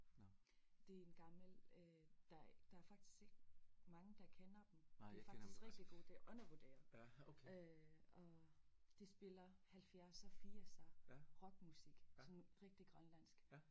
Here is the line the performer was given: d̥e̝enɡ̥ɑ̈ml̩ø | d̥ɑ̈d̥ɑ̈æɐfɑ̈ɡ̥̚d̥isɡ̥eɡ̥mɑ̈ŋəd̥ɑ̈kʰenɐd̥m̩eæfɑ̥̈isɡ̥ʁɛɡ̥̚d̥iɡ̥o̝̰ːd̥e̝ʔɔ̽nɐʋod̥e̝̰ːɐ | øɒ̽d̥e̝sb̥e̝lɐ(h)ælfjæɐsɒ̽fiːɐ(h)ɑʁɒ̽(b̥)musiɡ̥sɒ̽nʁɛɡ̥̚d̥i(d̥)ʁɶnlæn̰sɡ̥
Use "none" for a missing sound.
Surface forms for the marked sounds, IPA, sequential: h, s, ɡ̥, ɡ̥

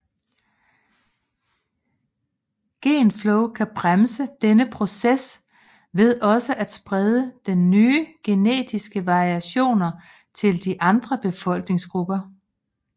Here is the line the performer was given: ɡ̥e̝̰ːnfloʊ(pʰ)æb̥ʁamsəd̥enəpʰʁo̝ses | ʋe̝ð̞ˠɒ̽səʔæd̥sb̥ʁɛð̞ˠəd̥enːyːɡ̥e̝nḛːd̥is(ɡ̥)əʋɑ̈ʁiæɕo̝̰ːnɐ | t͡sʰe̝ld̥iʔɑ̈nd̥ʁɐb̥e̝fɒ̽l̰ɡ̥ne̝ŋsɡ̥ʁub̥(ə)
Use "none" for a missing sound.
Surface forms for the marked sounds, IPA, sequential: kʰ, ɡ̥, ɐ

